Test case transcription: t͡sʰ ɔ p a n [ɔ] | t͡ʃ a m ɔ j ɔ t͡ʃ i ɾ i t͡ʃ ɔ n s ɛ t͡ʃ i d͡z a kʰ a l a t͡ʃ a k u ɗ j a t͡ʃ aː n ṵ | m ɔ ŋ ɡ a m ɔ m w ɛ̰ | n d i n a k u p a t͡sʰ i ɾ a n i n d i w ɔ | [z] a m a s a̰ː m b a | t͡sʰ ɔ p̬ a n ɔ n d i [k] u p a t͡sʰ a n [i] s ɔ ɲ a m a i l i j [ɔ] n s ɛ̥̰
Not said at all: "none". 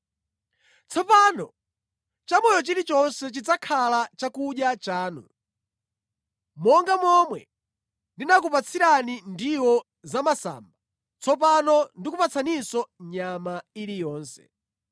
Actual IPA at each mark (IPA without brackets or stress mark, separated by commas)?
ɔ, z, k, i, ɔː